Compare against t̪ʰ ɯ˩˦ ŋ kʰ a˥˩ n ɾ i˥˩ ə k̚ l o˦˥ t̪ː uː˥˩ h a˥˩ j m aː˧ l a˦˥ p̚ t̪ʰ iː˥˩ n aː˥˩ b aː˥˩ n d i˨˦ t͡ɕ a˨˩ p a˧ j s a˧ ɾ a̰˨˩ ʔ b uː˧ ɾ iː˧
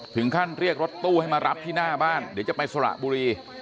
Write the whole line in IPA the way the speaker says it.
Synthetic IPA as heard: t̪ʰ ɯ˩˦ ŋ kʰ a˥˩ n ɾ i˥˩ ə k̚ ɾ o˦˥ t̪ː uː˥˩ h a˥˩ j m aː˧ ɾ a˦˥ p̚ t̪ʰ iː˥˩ n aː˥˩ b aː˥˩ n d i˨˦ t͡ɕ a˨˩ p a˧ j s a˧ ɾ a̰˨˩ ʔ b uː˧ ɾ iː˧